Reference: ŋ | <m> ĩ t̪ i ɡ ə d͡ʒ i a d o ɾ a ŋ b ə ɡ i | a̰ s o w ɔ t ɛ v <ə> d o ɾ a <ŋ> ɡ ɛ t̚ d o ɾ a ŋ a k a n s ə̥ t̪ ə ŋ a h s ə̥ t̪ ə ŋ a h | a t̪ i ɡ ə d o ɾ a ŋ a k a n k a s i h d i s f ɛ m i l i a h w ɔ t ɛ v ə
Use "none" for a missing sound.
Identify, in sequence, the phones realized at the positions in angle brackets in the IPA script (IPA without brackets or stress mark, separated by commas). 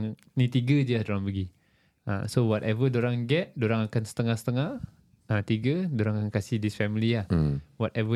n, ə, ŋ